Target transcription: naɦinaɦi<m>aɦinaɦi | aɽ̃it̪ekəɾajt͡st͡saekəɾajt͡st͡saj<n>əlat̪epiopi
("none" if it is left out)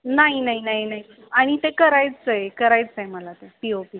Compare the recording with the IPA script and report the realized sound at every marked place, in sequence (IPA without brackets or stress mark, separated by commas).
n, m